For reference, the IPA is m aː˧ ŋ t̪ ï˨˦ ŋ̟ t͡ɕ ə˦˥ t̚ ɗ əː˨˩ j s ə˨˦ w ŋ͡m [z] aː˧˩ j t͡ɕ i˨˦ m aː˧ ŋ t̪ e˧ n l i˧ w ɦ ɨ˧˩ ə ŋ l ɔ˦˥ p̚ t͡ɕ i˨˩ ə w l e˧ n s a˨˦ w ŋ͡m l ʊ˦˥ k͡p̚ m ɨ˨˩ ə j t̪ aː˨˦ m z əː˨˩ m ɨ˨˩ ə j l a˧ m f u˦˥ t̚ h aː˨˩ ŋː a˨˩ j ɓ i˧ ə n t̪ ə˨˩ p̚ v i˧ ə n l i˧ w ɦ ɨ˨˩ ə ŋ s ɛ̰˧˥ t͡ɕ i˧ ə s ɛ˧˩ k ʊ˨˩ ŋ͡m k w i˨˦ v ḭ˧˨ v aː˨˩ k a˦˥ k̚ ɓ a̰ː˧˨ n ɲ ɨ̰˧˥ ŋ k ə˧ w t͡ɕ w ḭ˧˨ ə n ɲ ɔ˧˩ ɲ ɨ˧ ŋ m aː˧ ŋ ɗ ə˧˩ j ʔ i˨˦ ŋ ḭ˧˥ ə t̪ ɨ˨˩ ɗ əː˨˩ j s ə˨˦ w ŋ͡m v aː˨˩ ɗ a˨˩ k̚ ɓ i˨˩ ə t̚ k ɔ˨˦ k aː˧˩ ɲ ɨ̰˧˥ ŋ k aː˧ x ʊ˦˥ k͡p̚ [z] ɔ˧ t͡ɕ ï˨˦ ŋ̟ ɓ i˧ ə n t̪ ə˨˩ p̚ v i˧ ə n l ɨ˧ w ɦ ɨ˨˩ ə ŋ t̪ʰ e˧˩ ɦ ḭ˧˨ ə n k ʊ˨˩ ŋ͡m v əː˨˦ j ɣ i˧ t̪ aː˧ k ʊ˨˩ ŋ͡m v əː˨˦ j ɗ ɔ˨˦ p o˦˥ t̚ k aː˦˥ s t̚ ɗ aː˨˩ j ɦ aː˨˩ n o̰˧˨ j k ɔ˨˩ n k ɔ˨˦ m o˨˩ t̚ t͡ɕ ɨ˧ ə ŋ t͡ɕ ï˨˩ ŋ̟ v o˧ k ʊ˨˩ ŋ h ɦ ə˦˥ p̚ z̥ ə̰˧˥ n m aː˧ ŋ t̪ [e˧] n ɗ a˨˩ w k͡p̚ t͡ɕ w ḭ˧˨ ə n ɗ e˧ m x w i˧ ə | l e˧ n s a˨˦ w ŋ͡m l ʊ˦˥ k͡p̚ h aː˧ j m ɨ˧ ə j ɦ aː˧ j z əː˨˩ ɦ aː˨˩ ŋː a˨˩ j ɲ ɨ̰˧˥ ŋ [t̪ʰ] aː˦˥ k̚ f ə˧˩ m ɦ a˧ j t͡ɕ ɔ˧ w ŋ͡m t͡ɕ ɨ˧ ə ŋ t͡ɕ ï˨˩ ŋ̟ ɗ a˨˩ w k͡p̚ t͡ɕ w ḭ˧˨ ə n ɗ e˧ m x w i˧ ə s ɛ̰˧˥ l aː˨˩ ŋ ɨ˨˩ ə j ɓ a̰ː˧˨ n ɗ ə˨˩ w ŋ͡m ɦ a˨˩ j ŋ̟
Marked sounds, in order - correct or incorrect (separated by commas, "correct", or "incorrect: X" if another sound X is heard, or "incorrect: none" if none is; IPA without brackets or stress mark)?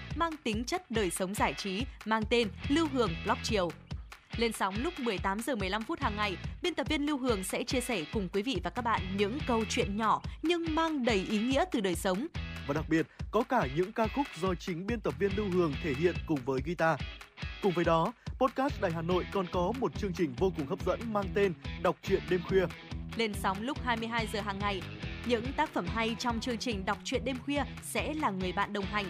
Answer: correct, correct, correct, incorrect: t̪